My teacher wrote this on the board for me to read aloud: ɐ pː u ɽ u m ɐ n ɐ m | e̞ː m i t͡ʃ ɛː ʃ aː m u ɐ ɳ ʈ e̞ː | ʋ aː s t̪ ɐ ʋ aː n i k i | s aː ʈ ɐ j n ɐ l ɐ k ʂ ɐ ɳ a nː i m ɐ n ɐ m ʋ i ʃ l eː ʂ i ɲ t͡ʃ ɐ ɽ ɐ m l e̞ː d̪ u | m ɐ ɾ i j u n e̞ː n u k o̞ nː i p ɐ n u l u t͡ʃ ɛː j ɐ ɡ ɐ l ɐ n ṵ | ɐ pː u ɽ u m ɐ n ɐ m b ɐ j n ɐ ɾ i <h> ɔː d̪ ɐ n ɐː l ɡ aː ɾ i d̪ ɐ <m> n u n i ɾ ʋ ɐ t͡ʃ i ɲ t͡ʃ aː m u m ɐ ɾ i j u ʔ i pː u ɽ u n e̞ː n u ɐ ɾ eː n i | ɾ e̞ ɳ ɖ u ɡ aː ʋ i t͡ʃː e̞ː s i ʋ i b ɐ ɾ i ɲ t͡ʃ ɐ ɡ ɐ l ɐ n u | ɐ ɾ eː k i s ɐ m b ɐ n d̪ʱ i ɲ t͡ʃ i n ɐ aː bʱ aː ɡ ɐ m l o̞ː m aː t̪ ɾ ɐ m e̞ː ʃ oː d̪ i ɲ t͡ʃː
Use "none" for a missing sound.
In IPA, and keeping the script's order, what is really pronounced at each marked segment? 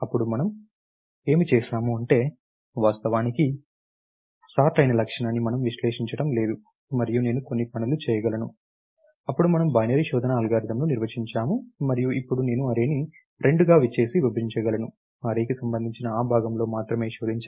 ʃ, m

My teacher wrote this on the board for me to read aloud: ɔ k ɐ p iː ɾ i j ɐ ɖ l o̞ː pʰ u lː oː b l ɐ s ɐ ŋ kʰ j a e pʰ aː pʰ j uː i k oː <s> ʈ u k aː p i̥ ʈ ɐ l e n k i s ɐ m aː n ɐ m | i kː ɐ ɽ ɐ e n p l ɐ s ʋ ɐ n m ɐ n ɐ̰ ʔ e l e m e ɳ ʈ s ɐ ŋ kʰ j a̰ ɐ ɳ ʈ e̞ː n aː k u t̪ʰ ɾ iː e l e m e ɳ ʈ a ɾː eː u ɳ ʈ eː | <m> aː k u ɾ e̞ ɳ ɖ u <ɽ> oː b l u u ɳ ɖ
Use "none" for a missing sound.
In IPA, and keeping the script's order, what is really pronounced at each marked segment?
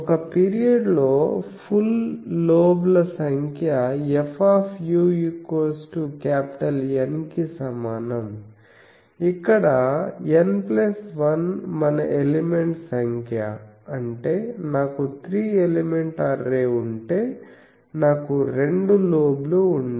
s, n, l

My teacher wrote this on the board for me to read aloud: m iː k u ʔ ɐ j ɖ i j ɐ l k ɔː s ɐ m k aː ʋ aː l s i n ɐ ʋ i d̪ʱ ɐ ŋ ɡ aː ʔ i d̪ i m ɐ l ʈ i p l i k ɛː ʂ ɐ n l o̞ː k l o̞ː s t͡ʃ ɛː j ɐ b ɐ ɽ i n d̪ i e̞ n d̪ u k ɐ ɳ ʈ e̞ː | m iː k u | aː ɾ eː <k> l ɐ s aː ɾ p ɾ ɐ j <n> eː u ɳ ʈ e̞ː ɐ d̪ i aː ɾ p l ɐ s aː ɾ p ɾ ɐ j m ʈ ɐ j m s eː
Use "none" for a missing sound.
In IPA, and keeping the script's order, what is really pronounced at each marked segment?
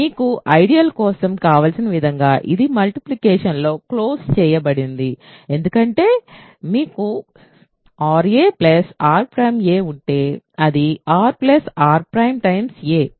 p, m

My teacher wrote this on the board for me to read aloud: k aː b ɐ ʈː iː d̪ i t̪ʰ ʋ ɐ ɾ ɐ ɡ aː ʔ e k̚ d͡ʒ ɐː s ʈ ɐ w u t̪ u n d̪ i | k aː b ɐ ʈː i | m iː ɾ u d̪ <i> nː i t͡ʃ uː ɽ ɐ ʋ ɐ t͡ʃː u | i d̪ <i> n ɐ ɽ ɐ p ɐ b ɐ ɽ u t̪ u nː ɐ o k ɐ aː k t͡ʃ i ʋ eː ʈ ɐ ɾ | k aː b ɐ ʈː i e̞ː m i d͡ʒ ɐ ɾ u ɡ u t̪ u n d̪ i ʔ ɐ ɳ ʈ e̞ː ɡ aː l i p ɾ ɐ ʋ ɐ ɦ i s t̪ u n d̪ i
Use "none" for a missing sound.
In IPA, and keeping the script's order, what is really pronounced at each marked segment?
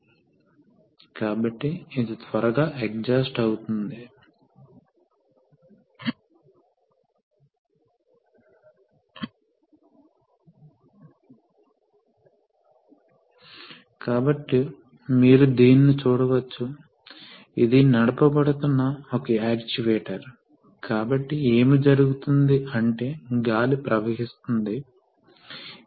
iː, i

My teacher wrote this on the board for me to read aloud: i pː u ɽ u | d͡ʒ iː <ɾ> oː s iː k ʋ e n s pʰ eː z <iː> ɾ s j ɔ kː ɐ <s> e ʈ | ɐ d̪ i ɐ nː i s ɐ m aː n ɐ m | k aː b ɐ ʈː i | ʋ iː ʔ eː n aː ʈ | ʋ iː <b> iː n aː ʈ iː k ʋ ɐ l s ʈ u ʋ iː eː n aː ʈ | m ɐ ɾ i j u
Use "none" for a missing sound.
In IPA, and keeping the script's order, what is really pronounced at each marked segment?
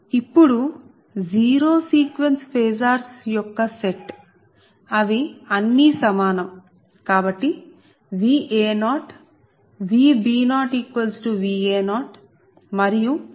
ɾ, aː, s, b

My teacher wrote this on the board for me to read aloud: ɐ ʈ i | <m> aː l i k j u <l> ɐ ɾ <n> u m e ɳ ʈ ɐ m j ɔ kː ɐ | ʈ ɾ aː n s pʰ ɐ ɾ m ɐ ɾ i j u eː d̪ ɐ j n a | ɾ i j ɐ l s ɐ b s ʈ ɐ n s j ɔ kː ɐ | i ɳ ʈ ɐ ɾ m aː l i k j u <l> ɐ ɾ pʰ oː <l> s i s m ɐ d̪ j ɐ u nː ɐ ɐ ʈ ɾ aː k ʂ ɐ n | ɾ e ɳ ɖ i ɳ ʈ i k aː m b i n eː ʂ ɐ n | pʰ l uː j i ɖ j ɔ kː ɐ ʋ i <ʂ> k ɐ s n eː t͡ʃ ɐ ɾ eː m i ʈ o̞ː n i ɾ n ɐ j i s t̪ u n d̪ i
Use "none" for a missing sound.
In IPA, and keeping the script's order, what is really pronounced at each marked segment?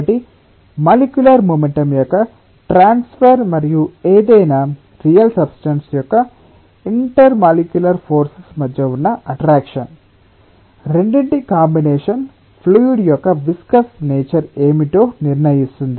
m, l, m, l, ɾ, s

